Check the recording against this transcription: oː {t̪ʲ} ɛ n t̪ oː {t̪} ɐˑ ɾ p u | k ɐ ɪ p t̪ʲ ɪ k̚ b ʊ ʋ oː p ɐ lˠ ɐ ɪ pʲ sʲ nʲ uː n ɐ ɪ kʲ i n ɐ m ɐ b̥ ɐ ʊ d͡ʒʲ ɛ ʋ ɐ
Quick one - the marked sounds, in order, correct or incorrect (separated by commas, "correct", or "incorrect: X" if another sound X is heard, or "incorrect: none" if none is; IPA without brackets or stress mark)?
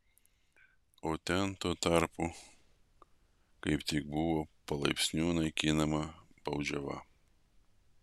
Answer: correct, correct